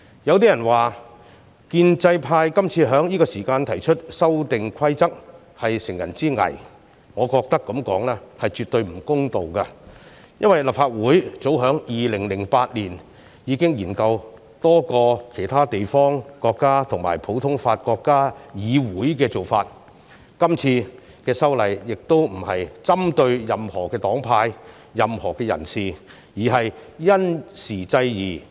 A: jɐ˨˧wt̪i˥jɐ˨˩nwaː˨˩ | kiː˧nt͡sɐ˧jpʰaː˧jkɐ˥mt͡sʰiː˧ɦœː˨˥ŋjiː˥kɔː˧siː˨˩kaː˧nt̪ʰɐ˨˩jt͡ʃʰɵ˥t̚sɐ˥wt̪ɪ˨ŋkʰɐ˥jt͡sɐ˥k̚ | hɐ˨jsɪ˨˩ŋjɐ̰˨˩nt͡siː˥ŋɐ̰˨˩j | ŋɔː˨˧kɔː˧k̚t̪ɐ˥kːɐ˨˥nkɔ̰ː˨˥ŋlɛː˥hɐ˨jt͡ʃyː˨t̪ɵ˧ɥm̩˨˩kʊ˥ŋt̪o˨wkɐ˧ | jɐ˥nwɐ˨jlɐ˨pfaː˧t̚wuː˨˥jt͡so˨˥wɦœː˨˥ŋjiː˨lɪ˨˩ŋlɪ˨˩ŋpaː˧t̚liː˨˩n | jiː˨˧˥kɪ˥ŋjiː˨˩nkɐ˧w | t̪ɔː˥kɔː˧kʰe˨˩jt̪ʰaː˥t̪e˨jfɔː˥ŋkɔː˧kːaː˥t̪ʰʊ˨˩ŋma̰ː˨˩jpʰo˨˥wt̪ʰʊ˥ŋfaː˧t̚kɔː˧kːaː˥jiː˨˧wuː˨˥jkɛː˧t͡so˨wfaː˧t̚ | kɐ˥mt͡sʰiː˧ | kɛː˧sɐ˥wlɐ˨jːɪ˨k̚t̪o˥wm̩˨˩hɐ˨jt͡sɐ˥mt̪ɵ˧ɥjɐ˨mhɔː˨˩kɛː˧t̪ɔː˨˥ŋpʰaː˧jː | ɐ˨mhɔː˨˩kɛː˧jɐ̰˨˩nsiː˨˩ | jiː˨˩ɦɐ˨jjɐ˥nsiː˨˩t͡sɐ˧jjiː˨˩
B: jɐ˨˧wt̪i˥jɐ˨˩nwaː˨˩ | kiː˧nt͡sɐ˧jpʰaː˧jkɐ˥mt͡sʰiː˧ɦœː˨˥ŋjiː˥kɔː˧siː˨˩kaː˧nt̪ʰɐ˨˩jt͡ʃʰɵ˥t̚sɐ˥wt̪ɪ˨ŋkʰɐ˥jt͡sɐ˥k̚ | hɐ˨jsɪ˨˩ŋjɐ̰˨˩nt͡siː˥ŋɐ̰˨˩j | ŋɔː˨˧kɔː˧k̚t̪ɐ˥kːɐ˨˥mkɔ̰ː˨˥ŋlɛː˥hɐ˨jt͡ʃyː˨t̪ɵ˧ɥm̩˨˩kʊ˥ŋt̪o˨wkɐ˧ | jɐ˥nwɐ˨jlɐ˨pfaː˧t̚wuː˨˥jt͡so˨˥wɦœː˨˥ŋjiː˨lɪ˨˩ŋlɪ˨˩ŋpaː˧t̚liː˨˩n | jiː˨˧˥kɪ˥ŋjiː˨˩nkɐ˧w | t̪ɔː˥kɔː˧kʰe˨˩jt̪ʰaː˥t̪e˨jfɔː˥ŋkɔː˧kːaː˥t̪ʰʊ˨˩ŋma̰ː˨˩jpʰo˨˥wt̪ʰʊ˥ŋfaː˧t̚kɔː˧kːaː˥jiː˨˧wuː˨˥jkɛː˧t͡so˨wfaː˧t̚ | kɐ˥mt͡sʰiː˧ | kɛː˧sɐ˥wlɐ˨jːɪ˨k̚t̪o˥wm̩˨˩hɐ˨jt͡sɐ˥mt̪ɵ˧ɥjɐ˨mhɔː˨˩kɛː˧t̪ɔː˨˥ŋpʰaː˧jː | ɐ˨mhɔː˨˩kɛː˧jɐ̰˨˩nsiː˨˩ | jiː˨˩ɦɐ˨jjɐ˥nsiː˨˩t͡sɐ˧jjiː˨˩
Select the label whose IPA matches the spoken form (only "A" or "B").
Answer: B